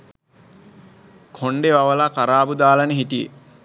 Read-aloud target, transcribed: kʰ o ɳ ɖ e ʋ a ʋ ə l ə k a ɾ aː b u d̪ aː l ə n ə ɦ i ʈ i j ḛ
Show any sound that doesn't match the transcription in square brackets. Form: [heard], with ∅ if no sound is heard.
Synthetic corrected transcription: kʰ o ɳ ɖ e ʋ a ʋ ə l [a] k a ɾ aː b u d̪ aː l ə n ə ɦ i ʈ i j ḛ